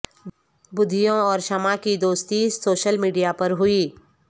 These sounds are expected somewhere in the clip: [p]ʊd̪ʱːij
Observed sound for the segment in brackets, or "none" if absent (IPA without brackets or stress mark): b